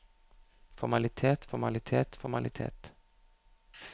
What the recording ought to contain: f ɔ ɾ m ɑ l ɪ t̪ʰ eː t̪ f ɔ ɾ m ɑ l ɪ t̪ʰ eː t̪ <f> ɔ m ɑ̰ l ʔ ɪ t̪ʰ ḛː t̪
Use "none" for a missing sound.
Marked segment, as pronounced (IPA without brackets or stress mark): f